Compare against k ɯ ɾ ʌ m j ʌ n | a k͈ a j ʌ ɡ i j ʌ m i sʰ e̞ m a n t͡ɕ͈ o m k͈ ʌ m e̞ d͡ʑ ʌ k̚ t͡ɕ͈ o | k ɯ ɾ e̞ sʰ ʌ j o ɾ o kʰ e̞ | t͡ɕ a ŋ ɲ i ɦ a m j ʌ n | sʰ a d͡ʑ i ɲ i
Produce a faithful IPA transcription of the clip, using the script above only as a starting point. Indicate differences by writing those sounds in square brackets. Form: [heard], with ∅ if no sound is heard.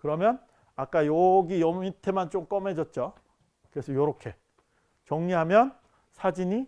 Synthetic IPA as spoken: k ɯ ɾ ʌ m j ʌ n | a k͈ a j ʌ ɡ i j ʌ m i [tʰ] e̞ m a n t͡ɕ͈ o m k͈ ʌ m e̞ d͡ʑ ʌ [t̚] t͡ɕ͈ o | k ɯ ɾ e̞ sʰ ʌ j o ɾ o kʰ e̞ | t͡ɕ [ʌ] ŋ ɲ i ɦ a m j ʌ n | sʰ a d͡ʑ i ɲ i

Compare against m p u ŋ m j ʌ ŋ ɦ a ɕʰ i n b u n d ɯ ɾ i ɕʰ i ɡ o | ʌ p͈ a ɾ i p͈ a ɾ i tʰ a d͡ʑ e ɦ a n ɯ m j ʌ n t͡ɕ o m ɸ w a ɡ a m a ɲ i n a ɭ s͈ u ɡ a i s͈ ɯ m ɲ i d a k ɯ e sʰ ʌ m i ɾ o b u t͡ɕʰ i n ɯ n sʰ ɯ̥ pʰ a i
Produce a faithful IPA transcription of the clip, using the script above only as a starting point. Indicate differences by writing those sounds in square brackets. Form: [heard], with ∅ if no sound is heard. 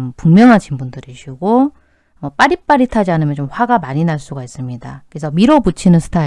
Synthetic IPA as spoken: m p u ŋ m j ʌ ŋ ɦ a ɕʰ i n b u n d ɯ ɾ i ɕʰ i ɡ o | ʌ p͈ a ɾ i p͈ a ɾ i tʰ a d͡ʑ [i] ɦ a n ɯ m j ʌ n t͡ɕ o m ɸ w a ɡ a m a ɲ i n a ɭ s͈ u ɡ a i s͈ ɯ m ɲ i d a k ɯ e sʰ ʌ m i ɾ o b u t͡ɕʰ i n ɯ n sʰ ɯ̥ [tʰ] a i

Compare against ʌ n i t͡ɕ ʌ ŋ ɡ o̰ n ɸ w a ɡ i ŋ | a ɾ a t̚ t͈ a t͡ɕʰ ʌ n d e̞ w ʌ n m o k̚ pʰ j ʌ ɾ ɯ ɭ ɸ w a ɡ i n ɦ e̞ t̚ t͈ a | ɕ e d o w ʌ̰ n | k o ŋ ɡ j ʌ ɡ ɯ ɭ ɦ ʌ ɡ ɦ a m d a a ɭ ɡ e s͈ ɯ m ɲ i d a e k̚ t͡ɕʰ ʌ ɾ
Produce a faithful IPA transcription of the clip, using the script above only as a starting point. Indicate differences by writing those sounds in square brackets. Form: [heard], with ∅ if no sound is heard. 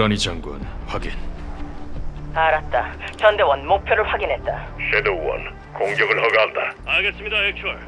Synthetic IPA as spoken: ʌ n i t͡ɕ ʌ ŋ ɡ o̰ n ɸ w a ɡ i [n] | a ɾ a t̚ t͈ a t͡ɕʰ ʌ n d e̞ w ʌ n m o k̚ pʰ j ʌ ɾ ɯ ɭ ɸ w a ɡ i n ɦ e̞ t̚ t͈ a | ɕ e d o w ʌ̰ n | k o ŋ ɡ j ʌ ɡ ɯ ɭ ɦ ʌ ɡ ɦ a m d a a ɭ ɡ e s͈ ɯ m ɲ i d a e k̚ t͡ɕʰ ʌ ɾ

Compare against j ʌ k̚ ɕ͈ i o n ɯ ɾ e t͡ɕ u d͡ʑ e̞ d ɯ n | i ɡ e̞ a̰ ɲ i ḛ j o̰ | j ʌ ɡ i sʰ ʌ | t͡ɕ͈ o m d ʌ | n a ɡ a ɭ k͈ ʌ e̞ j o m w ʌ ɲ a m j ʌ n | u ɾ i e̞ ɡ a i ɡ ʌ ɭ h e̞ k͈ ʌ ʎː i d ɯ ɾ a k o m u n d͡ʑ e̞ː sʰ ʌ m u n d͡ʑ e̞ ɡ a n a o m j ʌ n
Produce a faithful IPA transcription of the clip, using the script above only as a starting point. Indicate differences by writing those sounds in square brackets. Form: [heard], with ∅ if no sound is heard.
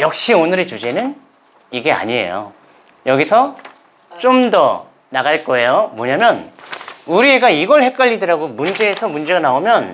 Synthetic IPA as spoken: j ʌ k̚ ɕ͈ i o n ɯ ɾ e t͡ɕ u d͡ʑ e̞ [n] ɯ n | i ɡ e̞ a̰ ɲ i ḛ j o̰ | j ʌ ɡ i sʰ ʌ | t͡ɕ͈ o m d ʌ | n a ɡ a ɭ k͈ ʌ e̞ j o m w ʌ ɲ a m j ʌ n | u ɾ i e̞ ɡ a i ɡ ʌ ɭ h e̞ k͈ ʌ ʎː i d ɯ ɾ a [ɡ] o m u n d͡ʑ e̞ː sʰ ʌ m u n d͡ʑ e̞ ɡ a n a o m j ʌ n

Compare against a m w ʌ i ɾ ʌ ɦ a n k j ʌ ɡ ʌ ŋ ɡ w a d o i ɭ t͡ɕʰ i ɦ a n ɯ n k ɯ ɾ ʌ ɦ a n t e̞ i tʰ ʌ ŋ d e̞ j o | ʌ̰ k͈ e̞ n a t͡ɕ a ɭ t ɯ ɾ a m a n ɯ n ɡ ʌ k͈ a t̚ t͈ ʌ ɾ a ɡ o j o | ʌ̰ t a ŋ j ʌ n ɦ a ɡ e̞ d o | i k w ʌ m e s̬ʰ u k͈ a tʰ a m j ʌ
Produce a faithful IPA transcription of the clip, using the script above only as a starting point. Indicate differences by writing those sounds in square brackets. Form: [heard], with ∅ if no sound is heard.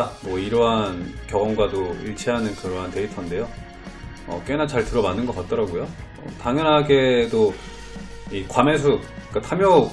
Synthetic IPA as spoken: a m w ʌ i ɾ ʌ ɦ a n k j ʌ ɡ ʌ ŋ ɡ w a d o i ɭ t͡ɕʰ i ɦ a n ɯ n k ɯ ɾ ʌ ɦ a n t e̞ i tʰ ʌ [n] d e̞ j o | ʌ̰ k͈ e̞ n a t͡ɕ a ɭ t ɯ ɾ [ʌ] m a [nː] ɯ n ɡ ʌ k͈ a t̚ t͈ ʌ ɾ a ɡ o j o | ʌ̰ t a ŋ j ʌ n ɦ a ɡ e̞ d o | i k w [a] m e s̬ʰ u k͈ a tʰ a m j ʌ

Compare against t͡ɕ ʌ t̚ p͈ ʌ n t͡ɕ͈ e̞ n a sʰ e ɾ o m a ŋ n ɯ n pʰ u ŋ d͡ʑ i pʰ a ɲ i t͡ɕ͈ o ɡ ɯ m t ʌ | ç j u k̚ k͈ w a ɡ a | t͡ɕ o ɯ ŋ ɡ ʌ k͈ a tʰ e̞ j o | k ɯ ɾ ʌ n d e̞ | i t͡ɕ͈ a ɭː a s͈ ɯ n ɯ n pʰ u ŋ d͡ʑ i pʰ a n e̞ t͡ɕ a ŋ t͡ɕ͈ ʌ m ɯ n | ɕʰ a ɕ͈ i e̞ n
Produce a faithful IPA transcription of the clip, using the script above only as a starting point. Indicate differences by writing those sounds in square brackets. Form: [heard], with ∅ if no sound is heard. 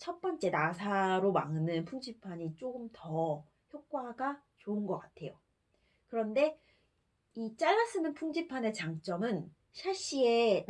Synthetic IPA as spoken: [t͡ɕʰ] ʌ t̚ p͈ ʌ n t͡ɕ͈ e̞ n a sʰ [a] ɾ o m a ŋ n ɯ n pʰ u ŋ d͡ʑ i pʰ a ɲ i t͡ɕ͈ o ɡ ɯ m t ʌ | ç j [o] k̚ k͈ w a ɡ a | t͡ɕ o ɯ [n] ɡ ʌ k͈ a tʰ e̞ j o | k ɯ ɾ ʌ n d e̞ | i t͡ɕ͈ a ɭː a s͈ ɯ n ɯ n pʰ u ŋ d͡ʑ i pʰ a n e̞ t͡ɕ a ŋ t͡ɕ͈ ʌ m ɯ n | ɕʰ a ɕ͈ i e̞ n

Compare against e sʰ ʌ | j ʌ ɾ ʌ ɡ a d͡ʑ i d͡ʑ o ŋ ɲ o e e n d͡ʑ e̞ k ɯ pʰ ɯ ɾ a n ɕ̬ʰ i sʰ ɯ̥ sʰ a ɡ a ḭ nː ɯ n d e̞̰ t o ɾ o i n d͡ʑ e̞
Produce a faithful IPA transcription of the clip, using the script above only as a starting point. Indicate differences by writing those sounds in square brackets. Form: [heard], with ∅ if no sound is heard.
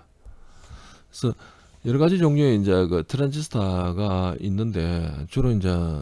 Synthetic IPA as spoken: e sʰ ʌ | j ʌ ɾ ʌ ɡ a d͡ʑ i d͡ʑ o ŋ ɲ o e [i] n d͡ʑ e̞ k ɯ [tʰ] ɯ ɾ a n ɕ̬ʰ i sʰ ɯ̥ [tʰ] a ɡ a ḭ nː ɯ n d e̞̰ [t͡ɕ] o ɾ o i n d͡ʑ e̞

